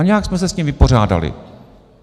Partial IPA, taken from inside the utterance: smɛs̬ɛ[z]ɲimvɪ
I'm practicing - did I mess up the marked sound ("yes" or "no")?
yes